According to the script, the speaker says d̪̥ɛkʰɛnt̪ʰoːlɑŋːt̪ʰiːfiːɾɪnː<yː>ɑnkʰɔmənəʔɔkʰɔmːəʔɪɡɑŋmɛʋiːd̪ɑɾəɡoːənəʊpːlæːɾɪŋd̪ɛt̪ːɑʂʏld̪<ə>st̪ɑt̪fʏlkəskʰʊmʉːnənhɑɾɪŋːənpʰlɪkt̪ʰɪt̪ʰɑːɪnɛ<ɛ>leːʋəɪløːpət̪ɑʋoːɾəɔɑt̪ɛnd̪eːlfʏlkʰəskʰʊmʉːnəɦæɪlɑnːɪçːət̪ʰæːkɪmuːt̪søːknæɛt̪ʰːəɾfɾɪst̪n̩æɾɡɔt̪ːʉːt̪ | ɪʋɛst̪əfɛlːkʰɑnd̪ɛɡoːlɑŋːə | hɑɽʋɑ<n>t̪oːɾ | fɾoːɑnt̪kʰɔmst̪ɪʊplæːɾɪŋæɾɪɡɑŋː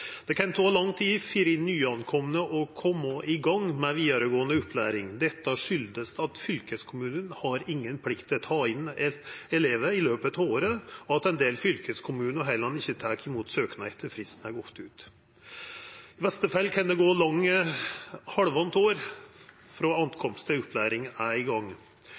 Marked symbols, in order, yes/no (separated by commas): yes, yes, yes, yes